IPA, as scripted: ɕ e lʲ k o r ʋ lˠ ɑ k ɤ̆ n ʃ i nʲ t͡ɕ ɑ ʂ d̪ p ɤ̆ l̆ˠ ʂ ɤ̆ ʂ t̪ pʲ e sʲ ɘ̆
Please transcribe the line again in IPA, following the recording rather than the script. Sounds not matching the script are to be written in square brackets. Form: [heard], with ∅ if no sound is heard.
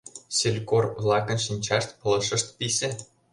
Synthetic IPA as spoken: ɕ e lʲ k o r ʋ lˠ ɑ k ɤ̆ n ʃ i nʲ t͡ɕ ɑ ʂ [t̪] p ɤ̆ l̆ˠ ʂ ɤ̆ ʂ t̪ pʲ [i] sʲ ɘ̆